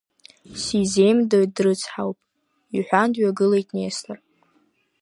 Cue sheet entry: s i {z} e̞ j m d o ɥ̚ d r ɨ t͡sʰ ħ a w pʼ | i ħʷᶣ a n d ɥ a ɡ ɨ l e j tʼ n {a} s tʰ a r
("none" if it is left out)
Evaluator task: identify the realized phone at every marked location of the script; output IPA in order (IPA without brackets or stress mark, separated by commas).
z, e